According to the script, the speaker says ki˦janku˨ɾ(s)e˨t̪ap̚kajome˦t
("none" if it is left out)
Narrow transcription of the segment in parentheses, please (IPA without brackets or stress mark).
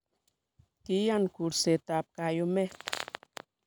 s